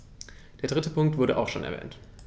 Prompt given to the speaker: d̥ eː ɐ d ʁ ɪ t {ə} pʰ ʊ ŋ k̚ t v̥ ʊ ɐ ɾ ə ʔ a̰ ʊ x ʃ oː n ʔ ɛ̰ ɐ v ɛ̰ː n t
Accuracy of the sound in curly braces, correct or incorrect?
correct